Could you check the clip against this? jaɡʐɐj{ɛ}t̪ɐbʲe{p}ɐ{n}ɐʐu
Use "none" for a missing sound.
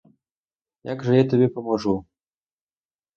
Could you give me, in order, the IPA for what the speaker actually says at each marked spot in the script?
a, p, m

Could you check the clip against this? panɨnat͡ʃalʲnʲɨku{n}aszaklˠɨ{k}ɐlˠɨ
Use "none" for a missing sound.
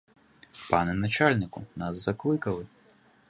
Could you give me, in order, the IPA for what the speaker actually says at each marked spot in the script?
n, k

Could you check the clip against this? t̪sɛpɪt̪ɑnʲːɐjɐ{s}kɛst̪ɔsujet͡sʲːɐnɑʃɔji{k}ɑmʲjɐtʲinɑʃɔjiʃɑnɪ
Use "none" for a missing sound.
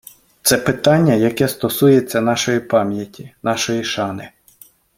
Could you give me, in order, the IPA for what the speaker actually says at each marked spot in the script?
none, p

